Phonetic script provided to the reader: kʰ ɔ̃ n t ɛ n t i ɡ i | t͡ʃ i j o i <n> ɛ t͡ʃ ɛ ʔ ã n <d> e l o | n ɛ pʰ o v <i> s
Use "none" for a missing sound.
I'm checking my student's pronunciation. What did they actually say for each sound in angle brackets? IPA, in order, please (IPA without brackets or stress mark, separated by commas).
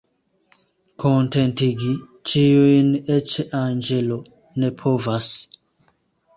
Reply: n, d͡ʒ, a